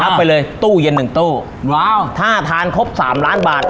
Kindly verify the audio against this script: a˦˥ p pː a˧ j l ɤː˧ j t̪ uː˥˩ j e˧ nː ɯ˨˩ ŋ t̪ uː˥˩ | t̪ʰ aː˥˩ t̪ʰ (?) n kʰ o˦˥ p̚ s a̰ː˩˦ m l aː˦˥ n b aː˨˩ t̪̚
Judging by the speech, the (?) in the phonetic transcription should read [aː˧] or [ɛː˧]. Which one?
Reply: aː˧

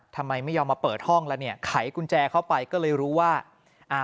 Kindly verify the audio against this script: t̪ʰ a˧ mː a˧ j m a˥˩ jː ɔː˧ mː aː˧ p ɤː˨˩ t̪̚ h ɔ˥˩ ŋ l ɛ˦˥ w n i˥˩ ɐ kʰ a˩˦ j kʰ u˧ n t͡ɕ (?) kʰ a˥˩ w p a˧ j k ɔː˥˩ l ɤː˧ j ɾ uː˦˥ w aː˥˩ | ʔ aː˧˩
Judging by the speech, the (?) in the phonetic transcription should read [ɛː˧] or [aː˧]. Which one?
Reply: ɛː˧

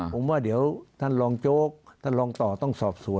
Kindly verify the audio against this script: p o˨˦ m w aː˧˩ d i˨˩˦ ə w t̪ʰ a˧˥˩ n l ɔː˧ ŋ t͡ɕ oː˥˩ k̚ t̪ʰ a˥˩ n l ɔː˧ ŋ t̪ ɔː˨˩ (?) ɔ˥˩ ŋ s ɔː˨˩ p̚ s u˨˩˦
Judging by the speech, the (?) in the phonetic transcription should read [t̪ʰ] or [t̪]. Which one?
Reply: t̪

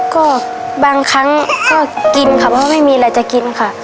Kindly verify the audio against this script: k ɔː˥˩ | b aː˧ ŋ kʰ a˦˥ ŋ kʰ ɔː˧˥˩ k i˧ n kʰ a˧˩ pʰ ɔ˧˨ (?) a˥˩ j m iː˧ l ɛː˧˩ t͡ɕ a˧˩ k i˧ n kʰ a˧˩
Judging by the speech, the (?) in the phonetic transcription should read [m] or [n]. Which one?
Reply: m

